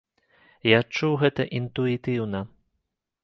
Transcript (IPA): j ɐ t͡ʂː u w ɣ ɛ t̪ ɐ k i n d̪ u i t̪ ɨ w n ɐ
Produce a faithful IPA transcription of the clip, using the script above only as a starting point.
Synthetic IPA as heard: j a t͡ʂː u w ɣ ɛ t̪ ɐ ʔ i n t̪ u i t̪ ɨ w n ɐ